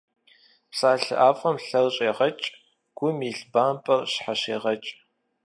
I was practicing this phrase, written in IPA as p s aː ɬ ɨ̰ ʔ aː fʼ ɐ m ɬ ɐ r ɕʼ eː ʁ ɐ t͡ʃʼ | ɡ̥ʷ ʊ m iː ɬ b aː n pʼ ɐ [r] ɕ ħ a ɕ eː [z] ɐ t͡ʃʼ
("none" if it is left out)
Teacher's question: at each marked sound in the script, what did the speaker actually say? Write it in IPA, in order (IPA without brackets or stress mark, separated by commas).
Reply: r, ʁ